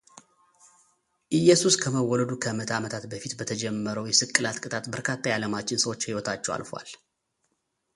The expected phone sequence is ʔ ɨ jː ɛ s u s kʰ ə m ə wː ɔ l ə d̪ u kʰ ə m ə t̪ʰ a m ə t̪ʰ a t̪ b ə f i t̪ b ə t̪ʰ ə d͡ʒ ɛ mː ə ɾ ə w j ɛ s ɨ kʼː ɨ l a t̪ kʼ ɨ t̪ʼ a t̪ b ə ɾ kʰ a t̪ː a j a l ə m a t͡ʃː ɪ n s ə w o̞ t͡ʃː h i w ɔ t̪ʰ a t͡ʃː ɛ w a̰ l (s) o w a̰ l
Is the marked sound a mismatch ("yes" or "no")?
yes